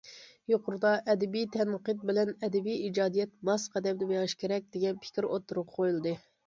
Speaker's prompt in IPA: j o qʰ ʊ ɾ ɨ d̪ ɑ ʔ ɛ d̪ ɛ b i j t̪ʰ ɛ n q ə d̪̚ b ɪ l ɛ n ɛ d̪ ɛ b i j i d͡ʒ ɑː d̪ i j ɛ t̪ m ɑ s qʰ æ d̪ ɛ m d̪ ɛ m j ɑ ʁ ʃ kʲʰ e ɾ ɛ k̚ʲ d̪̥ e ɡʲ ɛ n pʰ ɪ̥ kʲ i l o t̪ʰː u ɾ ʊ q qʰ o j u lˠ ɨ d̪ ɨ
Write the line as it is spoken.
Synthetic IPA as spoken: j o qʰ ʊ ɾ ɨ d̪ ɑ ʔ ɛ d̪ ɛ b i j t̪ʰ ɛ n q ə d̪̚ b ɪ l ɛ n ɛ d̪ ɛ b i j i d͡ʒ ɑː d̪ i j ɛ t̪ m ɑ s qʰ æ d̪ ɛ m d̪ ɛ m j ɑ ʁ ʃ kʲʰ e ɾ ɛ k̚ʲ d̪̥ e ɡʲ ɛ n pʰ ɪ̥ kʲ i ɾ o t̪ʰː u ɾ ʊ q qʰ o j u lˠ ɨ d̪ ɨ